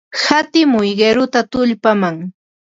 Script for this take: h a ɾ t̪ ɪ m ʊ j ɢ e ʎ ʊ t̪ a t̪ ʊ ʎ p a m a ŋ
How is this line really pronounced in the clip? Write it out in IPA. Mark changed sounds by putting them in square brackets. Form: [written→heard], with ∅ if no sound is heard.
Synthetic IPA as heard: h a [ɾ→∅] t̪ ɪ m ʊ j ɢ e [ʎ→ɾ] ʊ t̪ a t̪ ʊ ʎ p a m a ŋ